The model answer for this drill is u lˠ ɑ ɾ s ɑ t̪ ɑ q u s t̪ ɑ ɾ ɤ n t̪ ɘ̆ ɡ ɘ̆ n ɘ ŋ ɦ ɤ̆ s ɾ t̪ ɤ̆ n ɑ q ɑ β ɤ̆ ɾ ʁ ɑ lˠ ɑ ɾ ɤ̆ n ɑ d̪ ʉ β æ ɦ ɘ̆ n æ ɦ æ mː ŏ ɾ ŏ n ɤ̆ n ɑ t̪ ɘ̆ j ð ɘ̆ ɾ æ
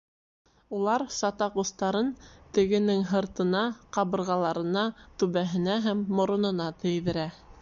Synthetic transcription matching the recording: u lˠ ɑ ɾ s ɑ t̪ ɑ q u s t̪ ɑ ɾ ɤ n t̪ ɘ̆ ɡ ɘ̆ n ɘ ŋ ɦ ɤ̆ ɾ t̪ ɤ̆ n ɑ q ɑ β ɤ̆ ɾ ʁ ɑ lˠ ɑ ɾ ɤ̆ n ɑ t̪ ʉ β æ ɦ ɘ̆ n æ ɦ æ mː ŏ ɾ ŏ n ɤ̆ n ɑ t̪ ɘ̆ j ð ɘ̆ ɾ æ

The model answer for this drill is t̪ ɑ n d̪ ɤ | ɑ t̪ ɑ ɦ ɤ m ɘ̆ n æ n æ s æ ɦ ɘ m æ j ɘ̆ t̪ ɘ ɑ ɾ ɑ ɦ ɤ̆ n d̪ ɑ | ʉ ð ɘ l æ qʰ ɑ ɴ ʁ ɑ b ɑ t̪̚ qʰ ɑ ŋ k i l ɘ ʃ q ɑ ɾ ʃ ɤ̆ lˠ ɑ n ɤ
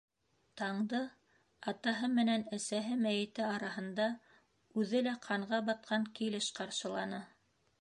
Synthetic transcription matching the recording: t̪ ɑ ɴ d̪ ɤ | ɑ t̪ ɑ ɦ ɤ m ɘ̆ n æ n æ s æ ɦ ɘ m æ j ɘ̆ t̪ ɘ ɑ ɾ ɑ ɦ ɤ̆ n d̪ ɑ | ʉ ð ɘ l æ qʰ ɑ ɴ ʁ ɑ b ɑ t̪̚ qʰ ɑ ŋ k i l ɘ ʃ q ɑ ɾ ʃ ɤ̆ lˠ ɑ n ɤ

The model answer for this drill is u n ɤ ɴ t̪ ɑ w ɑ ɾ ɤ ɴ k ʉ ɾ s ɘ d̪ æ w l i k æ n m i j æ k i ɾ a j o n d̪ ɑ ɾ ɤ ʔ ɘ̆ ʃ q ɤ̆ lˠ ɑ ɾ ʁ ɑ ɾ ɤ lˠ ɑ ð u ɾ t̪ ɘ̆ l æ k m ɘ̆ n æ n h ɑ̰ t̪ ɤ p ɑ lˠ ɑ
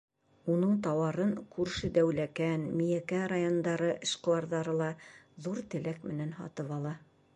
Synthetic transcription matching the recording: u n ɤ ɴ t̪ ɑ w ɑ ɾ ɤ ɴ k ʉ ɾ ʃ ɘ d̪ æ w l æ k æ n m i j æ k æ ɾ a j o n d̪ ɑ ɾ ɤ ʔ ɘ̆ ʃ q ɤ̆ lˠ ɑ ɾ ð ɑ ɾ ɤ lˠ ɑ ð u ɾ t̪ ɘ̆ l æ k m ɘ̆ n æ n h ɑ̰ t̪ ɤ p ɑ lˠ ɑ

